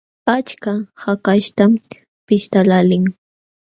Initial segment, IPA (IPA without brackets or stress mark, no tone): a